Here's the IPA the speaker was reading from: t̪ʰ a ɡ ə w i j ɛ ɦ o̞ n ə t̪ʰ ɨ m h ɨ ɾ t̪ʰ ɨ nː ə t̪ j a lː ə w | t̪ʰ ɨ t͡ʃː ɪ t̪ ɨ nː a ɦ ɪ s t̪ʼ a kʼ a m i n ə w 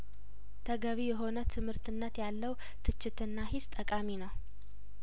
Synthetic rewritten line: t̪ʰ ə ɡ ə β i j ɛ ɦ o̞ n ə t̪ʰ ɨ m h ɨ ɾ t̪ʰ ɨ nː ə t̪ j a lː ə w | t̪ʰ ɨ t͡ʃː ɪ t̪ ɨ nː a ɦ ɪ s t̪ʼ ə kʼ a m i n ə w